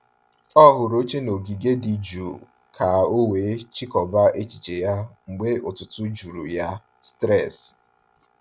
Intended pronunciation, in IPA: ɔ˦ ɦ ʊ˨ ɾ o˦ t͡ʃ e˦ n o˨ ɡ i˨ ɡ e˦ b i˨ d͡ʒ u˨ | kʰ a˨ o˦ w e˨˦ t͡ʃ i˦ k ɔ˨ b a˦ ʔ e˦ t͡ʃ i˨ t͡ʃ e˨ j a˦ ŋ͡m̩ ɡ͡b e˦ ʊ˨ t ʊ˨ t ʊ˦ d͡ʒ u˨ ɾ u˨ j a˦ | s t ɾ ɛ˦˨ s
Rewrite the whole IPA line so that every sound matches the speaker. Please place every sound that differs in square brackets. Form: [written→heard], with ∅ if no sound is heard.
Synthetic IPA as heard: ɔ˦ ɦ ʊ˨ ɾ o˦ t͡ʃ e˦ n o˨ ɡ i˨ ɡ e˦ [b→d] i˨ d͡ʒ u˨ | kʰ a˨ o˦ w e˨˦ t͡ʃ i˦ k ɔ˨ b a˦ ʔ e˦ t͡ʃ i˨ t͡ʃ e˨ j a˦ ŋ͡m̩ ɡ͡b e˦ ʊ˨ t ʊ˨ t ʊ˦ d͡ʒ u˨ ɾ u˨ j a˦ | s t ɾ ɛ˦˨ s